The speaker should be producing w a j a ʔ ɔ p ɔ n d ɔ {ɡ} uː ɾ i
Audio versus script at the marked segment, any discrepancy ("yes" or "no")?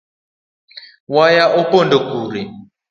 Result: yes